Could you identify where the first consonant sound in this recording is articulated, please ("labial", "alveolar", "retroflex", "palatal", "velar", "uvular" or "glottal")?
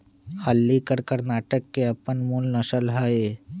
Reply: glottal